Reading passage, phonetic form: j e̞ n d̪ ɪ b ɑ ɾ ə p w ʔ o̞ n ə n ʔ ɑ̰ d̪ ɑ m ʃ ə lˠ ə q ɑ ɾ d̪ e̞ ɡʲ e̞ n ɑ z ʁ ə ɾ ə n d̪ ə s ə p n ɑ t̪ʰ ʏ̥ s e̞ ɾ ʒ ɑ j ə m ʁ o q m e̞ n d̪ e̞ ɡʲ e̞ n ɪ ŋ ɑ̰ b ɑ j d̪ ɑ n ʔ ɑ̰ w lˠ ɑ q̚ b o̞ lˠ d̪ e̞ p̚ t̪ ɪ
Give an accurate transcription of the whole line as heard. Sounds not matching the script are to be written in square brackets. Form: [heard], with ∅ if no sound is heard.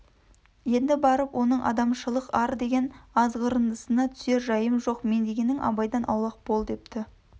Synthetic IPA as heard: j e̞ n d̪ ɪ b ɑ ɾ ə p w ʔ o̞ n ə [ɴ] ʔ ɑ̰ d̪ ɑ m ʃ ə lˠ ə q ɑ ɾ d̪ e̞ ɡʲ e̞ n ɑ z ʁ ə ɾ ə n d̪ ə s ə [∅] n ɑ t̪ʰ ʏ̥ s e̞ ɾ ʒ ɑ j ə m [ʒ] o q m e̞ n d̪ e̞ ɡʲ e̞ n ɪ ŋ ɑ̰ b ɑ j d̪ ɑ n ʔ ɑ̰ w lˠ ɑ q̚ b o̞ lˠ d̪ e̞ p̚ t̪ ɪ

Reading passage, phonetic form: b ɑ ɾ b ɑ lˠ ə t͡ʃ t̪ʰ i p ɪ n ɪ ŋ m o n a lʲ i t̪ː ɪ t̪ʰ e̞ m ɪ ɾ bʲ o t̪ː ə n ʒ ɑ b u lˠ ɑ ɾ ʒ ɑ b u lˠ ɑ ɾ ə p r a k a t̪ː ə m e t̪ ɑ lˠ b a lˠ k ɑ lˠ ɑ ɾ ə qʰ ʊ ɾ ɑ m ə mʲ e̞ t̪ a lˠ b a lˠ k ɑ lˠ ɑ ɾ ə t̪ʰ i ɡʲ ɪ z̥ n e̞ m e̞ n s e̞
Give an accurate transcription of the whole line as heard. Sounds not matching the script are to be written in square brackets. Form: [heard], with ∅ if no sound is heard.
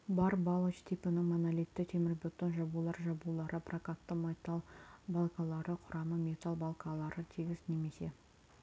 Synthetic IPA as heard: b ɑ ɾ b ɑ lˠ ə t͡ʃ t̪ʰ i p ɪ n ɪ ŋ m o n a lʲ i t̪ː ɪ t̪ʰ e̞ m ɪ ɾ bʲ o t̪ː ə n ʒ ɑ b u lˠ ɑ ɾ ʒ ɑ b u lˠ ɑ ɾ ə p r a k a t̪ː ə m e t̪ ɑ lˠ b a lˠ k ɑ lˠ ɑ ɾ ə qʰ ʊ ɾ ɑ m ə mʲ e̞ t̪ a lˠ b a lˠ k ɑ lˠ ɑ ɾ ə t̪ʰ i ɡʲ ɪ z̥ n e̞ m e̞ [∅] s e̞

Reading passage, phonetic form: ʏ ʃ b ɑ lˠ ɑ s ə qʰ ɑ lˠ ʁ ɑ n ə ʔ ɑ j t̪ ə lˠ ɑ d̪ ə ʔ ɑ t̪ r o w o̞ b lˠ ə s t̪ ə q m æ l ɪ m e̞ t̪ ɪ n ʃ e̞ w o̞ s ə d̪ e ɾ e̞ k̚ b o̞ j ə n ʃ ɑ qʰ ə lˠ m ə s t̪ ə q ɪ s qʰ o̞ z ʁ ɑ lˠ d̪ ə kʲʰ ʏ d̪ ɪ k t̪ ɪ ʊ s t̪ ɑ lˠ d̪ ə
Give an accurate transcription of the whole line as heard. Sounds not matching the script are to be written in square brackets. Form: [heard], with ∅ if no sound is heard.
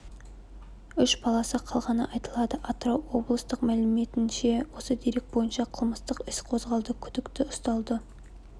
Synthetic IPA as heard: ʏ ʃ b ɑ lˠ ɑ s ə qʰ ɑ lˠ ʁ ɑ n ə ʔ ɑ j t̪ ə lˠ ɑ d̪ ə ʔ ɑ t̪ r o w o̞ b lˠ ə s t̪ ə q m æ l ɪ m e̞ t̪ ɪ n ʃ e̞ w o̞ s ə d̪ e ɾ e̞ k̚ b o̞ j ə n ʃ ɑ qʰ ə lˠ m ə s t̪ ə q ɪ s qʰ o̞ z ʁ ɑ lˠ d̪ ə kʲʰ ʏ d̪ ɪ k t̪ ɪ ʊ s t̪ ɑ lˠ d̪ ə

